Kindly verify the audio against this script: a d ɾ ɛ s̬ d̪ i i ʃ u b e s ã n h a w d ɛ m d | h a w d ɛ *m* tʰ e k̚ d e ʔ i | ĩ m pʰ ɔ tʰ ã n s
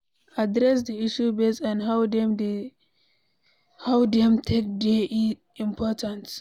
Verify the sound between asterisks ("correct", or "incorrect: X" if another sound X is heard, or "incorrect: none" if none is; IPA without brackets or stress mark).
correct